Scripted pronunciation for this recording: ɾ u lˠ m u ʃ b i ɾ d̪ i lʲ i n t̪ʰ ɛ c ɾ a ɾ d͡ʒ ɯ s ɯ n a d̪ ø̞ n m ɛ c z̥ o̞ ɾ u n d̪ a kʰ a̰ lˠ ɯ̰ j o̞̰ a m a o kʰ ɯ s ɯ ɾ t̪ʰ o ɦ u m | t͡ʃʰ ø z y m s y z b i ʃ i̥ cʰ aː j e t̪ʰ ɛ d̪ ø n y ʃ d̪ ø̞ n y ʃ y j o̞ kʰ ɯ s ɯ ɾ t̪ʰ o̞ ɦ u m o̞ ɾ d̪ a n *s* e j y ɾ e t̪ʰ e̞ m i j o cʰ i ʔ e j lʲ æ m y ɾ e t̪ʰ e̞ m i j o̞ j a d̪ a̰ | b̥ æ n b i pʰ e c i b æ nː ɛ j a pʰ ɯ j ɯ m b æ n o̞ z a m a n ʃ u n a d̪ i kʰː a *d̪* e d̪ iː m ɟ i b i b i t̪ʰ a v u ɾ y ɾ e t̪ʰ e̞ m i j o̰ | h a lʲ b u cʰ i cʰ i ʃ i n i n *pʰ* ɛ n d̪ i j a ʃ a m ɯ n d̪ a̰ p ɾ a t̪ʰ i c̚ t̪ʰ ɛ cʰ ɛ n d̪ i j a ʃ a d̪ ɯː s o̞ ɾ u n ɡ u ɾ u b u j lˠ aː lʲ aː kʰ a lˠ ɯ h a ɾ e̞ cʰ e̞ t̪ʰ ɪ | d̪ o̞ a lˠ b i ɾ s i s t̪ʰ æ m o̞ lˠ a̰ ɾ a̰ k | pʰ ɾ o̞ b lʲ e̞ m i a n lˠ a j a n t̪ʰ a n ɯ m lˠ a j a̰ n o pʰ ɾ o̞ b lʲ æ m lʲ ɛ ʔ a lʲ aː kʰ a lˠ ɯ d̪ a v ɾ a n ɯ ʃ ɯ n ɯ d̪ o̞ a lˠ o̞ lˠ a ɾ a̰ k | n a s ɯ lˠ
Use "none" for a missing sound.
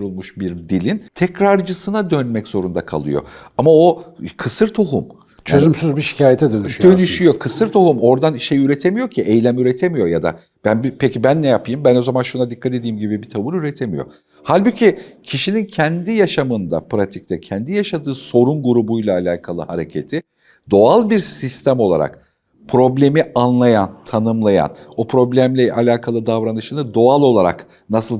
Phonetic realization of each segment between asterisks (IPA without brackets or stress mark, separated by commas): ʃ, t̪, cʰ